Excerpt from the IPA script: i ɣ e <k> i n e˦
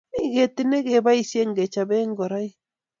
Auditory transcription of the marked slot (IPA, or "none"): t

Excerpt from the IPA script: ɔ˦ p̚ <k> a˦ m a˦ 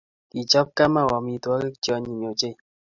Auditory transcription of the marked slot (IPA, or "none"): k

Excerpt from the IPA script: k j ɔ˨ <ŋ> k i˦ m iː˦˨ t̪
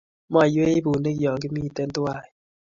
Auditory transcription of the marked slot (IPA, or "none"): ŋ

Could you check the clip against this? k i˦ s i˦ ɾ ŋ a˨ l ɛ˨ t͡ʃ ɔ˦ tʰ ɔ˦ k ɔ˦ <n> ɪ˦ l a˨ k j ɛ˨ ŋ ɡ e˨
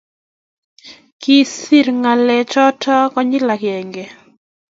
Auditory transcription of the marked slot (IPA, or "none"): ɲ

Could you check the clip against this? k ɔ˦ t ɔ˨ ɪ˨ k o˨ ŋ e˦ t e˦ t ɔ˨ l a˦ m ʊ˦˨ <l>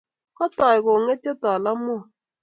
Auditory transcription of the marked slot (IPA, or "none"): none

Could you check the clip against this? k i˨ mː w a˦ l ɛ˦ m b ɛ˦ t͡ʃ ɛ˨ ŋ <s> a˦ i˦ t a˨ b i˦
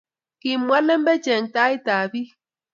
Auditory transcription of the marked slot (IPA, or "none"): t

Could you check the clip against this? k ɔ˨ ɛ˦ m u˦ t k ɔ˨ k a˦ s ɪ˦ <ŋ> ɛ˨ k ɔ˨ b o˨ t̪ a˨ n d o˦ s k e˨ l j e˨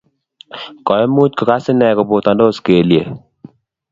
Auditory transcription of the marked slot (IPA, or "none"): n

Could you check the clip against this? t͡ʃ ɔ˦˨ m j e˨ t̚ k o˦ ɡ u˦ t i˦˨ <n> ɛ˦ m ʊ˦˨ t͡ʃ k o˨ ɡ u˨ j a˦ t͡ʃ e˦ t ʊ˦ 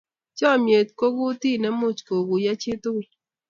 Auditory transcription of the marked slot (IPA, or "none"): n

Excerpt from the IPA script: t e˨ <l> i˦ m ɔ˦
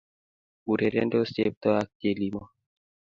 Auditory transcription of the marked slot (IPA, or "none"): l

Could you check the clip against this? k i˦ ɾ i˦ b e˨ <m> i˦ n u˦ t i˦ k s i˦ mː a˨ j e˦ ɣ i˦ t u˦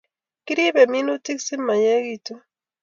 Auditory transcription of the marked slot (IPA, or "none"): m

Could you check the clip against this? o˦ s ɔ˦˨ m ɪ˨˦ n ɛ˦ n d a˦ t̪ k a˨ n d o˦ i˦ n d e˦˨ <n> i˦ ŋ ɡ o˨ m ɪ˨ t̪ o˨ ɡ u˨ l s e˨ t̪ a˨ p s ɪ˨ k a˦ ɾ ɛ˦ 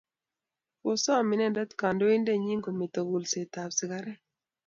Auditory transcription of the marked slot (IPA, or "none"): ɲ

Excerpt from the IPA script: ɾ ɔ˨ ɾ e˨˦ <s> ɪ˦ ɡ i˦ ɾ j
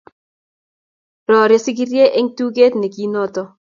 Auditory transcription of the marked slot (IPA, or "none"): s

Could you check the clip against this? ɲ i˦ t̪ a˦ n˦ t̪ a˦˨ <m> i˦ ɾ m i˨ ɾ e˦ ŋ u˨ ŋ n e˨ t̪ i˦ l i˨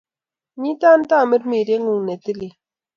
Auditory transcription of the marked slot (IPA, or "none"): m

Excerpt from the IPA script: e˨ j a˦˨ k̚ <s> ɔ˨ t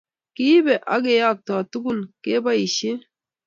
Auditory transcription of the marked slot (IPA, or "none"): t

